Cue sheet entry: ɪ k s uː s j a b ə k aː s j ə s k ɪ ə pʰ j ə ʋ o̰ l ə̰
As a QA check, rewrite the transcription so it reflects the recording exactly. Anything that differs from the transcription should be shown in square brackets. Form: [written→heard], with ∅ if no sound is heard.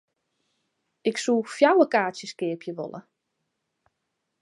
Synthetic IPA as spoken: ɪ k s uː [s→f] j a [b→w] ə k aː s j ə s k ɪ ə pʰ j ə ʋ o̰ l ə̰